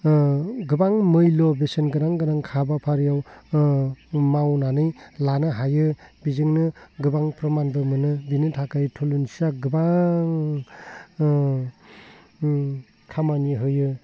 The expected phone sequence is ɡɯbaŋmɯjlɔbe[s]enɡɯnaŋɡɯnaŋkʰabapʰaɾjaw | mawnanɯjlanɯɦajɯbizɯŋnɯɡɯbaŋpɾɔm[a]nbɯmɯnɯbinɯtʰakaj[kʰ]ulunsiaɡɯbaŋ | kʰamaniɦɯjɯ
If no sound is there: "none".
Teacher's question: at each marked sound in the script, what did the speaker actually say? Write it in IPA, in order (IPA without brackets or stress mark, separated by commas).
s, a, tʰ